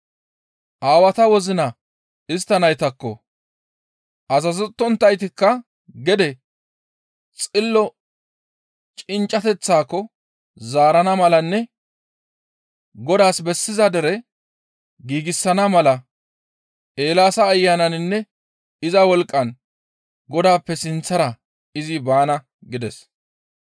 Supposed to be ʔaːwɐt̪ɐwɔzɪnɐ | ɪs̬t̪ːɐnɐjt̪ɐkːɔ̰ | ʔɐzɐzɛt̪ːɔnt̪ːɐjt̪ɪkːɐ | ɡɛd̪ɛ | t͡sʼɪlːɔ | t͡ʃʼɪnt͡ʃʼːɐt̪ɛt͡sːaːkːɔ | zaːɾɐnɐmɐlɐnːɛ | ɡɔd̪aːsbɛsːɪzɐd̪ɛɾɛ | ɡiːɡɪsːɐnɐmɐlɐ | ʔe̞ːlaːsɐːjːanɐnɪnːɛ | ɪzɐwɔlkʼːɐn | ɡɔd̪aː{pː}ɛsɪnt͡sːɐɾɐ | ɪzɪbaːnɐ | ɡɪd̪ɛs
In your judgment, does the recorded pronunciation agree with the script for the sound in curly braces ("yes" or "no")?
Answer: yes